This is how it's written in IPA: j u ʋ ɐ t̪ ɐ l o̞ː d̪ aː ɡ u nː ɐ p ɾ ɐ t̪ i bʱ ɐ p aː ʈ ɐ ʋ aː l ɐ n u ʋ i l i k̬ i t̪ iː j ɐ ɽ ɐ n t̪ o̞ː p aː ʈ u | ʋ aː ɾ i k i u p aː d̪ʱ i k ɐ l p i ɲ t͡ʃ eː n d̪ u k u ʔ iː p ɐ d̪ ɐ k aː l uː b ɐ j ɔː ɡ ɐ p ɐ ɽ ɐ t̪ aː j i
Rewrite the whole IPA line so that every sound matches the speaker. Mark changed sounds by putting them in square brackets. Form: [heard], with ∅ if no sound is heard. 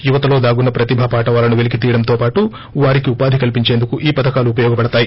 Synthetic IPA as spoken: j u ʋ ɐ t̪ ɐ l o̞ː d̪ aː ɡ u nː ɐ p ɾ ɐ t̪ i bʱ ɐ p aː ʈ ɐ ʋ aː l ɐ n u ʋ [e] l i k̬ i t̪ iː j ɐ ɽ ɐ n t̪ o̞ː p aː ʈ u | ʋ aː ɾ i k i u p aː d̪ʱ i k ɐ l p i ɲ t͡ʃ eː n d̪ u k u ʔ iː p ɐ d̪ ɐ k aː l uː [p] ɐ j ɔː ɡ ɐ p ɐ ɽ ɐ t̪ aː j i